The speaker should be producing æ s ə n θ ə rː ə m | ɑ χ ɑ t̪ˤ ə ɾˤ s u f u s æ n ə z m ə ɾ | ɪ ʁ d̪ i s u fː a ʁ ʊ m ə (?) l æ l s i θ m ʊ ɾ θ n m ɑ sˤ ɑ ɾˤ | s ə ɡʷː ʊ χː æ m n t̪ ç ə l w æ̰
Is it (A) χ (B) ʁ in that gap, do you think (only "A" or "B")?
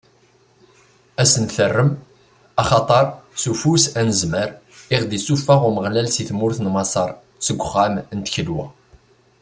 B